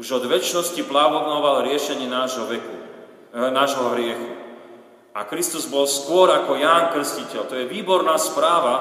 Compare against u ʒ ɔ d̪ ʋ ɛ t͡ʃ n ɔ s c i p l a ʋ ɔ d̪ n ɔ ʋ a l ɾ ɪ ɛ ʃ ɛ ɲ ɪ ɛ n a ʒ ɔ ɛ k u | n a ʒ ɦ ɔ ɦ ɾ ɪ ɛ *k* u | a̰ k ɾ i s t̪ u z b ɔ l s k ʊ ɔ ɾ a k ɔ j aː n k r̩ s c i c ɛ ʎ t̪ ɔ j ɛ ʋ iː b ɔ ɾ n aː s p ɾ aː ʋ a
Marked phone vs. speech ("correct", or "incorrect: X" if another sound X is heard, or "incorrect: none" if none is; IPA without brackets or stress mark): incorrect: x